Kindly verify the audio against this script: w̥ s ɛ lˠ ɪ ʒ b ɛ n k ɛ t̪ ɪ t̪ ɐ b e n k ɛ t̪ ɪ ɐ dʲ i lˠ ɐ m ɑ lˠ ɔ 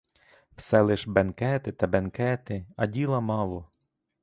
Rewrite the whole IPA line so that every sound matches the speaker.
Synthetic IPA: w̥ s ɛ lˠ ɪ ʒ b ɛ n k ɛ t̪ ɪ t̪ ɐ b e n k ɛ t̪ ɪ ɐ dʲ i lˠ ɐ m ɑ lˠ ɔ